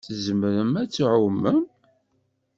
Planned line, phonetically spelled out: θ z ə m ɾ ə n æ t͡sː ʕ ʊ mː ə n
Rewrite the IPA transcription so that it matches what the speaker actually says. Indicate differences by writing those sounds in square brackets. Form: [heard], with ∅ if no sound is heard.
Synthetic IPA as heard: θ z ə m ɾ ə [m] æ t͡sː ʕ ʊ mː ə [m]